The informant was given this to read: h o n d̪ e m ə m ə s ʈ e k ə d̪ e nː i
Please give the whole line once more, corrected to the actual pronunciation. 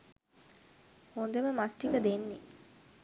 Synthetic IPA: h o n d̪ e m ə m a s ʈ i k ə d̪ e nː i